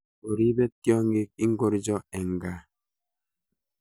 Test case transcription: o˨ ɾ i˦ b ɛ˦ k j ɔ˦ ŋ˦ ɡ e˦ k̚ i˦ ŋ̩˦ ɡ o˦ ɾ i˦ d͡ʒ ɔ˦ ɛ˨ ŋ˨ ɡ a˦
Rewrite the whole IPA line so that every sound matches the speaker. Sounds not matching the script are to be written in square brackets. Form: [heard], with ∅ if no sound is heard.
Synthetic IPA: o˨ ɾ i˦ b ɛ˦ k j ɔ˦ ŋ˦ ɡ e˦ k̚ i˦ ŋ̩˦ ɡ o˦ ɾ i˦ d͡ʒ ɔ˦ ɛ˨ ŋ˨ ɡ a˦